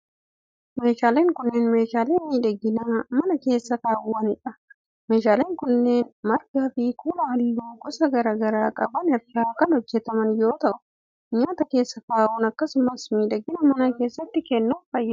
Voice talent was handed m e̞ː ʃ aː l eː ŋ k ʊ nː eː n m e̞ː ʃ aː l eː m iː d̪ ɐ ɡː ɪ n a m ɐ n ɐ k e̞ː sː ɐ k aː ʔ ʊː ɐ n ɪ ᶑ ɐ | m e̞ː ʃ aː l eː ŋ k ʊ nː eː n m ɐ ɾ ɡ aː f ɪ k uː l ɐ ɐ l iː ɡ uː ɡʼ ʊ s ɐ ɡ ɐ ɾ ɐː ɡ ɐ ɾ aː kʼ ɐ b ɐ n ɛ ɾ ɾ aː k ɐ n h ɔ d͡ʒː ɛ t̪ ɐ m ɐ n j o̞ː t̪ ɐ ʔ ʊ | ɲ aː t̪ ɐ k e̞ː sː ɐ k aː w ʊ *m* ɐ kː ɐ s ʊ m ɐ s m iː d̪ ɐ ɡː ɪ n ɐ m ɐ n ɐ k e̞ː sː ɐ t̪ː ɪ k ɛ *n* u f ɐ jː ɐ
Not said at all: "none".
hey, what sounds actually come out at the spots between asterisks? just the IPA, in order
n, nː

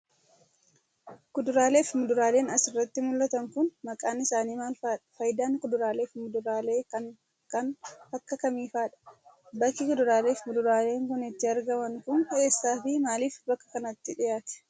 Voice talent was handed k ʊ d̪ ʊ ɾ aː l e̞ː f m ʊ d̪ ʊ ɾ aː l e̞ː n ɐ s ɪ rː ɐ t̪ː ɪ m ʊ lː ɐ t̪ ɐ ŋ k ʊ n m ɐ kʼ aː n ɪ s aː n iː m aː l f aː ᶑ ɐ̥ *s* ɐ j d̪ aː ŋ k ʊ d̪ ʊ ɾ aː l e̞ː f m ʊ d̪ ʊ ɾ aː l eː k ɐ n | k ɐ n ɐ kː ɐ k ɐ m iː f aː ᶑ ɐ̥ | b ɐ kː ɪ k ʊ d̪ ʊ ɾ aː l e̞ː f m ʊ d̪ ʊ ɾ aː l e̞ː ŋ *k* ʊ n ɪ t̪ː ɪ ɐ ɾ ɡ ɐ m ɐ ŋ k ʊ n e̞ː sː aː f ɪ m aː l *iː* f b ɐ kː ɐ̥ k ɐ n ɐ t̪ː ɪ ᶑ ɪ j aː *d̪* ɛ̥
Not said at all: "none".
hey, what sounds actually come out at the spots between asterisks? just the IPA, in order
f, k, iː, t̪

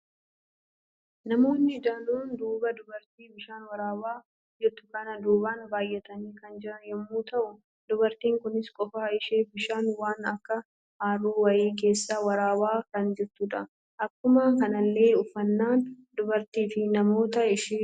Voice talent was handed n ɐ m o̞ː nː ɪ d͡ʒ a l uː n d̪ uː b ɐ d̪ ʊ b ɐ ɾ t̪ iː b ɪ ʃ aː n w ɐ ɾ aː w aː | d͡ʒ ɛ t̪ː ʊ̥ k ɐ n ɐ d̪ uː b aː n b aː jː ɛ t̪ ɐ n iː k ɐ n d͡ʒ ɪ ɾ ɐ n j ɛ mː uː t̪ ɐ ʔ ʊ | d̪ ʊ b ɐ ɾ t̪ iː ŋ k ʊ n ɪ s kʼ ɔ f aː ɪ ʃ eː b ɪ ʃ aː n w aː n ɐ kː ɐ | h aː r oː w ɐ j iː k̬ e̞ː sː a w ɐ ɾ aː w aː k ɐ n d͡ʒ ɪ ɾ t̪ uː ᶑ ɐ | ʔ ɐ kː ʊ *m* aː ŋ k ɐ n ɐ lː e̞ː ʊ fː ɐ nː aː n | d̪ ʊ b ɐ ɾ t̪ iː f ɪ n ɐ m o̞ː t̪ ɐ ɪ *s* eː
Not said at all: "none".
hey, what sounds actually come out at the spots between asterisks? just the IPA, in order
m, ʃ

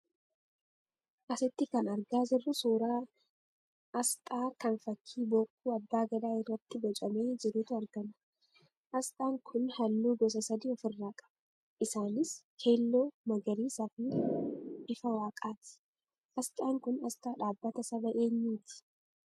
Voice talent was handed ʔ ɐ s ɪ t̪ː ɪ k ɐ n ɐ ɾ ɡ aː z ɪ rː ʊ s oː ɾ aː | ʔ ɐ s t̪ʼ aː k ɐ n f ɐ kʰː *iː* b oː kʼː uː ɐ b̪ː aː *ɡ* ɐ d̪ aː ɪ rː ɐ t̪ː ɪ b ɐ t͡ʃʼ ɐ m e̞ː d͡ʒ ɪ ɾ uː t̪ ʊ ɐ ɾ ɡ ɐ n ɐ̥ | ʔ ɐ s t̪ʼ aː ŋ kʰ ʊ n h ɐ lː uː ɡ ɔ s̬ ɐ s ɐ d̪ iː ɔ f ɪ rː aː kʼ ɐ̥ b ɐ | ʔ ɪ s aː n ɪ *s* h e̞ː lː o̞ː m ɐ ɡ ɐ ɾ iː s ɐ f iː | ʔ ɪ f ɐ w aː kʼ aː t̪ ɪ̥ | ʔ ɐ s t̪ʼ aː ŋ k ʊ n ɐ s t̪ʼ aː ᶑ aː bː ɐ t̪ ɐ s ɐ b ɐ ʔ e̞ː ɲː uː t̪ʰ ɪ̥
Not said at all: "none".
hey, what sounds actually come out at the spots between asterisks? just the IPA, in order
iː, ɡ, s

